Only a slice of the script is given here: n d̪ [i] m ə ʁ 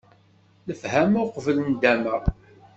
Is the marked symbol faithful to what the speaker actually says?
no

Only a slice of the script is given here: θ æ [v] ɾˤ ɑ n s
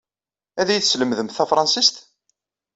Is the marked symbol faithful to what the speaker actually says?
no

